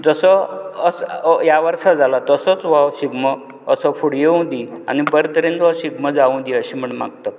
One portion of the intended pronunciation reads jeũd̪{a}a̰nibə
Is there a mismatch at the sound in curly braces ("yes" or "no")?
yes